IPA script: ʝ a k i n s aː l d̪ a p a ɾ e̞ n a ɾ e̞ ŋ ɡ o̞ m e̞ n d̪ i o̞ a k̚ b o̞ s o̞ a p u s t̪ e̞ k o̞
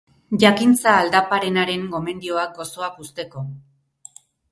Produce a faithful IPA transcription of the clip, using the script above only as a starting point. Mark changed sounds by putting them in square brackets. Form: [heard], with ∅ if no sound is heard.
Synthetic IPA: ʝ a k i n [t͡s] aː l d̪ a p a ɾ e̞ n a ɾ e̞ ŋ ɡ o̞ m e̞ n d̪ i o̞ a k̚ [ɡ] o̞ s o̞ a [k] u s t̪ e̞ k o̞